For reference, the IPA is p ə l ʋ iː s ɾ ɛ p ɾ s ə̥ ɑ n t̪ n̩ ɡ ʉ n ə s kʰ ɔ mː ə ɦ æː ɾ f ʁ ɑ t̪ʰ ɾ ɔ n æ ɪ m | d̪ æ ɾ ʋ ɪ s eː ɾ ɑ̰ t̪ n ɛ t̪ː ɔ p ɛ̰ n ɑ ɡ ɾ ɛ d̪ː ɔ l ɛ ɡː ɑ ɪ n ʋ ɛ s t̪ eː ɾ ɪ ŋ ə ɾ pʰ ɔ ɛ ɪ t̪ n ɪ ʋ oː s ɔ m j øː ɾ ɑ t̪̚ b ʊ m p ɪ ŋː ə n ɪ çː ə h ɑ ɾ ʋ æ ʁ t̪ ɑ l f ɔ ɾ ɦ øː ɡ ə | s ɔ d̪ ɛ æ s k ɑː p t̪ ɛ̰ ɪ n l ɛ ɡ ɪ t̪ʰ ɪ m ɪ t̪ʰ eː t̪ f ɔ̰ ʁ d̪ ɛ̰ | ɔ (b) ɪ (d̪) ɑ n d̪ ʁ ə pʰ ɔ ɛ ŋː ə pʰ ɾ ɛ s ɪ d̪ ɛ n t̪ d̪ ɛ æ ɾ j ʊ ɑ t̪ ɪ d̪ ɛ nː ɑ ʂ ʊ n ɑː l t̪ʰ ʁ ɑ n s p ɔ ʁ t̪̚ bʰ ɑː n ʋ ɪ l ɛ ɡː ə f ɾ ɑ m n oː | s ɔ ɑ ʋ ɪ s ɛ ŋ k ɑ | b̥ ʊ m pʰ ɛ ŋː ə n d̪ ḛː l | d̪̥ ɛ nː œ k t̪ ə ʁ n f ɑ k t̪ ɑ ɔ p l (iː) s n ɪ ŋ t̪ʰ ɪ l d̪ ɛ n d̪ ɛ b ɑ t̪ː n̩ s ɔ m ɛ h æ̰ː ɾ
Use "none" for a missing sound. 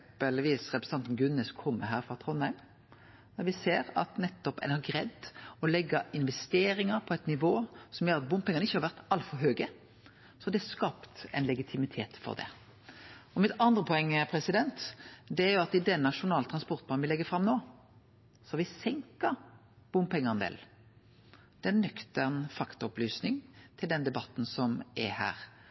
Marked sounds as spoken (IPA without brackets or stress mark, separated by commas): m, t̪, yː